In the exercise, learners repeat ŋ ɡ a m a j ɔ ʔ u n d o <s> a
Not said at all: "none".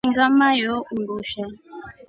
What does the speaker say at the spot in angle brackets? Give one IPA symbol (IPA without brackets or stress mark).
ʃ